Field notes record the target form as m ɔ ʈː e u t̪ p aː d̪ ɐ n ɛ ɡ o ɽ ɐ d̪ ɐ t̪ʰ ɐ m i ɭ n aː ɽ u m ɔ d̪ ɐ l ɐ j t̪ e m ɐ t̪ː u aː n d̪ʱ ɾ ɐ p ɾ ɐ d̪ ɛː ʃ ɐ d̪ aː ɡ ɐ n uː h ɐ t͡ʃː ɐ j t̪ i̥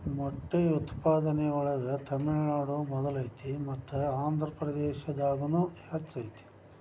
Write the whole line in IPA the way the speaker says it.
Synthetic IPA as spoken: m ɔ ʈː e u t̪ p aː d̪ ɐ n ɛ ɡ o ɭ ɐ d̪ ɐ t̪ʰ ɐ m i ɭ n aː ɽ u m ɔ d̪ ɐ l ɐ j t̪ i m ɐ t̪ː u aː n d̪ʱ ɾ ɐ p ɾ ɐ d̪ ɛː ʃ ɐ d̪ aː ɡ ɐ n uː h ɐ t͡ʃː ɐ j t̪ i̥